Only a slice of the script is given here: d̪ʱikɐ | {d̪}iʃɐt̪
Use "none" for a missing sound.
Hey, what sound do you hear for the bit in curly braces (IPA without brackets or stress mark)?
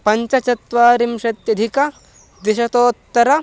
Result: d̪